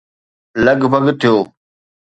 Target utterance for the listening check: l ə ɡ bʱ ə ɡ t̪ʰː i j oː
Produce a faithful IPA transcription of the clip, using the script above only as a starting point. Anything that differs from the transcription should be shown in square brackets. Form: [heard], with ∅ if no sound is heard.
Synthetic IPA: l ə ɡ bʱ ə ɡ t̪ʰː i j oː